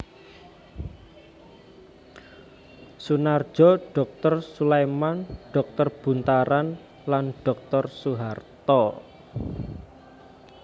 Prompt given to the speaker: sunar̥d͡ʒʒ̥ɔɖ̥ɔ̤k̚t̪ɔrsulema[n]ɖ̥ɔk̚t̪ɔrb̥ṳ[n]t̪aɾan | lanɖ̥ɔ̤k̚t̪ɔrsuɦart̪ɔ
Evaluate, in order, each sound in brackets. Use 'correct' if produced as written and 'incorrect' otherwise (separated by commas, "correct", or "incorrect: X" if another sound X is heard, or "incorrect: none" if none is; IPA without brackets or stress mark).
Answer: correct, correct